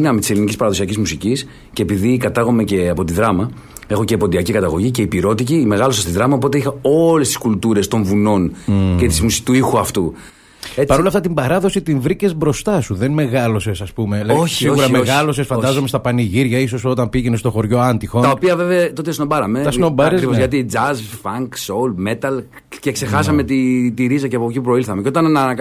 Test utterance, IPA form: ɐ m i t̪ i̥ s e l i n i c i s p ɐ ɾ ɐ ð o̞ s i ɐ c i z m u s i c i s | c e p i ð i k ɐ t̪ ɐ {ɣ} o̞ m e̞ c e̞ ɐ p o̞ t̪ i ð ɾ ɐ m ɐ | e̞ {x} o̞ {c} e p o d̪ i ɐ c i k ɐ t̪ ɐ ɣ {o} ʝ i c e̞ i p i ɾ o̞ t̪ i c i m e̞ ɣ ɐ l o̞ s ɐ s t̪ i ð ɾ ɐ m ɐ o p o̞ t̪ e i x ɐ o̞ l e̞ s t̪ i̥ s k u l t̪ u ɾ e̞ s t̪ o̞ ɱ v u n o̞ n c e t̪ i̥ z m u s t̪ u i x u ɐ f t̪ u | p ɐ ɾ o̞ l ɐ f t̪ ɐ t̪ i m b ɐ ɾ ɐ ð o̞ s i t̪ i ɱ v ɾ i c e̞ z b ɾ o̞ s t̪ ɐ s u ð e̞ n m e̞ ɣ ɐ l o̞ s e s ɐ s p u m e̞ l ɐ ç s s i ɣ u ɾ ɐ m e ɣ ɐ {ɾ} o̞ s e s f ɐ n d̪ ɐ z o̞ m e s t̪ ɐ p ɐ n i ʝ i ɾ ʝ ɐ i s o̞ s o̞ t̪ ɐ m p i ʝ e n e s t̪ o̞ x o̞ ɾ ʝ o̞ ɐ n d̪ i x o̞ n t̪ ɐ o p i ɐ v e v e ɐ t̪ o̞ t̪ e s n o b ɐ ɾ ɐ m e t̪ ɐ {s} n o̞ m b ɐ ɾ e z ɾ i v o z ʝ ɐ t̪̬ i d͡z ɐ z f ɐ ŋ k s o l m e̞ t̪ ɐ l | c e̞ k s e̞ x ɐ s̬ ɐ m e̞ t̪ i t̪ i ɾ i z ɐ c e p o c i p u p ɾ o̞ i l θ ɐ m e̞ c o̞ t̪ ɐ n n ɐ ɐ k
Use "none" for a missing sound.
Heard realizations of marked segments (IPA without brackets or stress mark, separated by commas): ɣ, x, c, o, l, s